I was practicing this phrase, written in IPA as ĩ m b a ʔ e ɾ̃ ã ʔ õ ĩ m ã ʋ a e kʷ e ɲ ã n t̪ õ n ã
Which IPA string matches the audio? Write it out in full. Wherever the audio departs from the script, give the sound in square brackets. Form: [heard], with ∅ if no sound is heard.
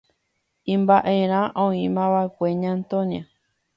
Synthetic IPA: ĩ m b a ʔ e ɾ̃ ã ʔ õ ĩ m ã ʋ a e kʷ e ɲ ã n t̪ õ [ɲ] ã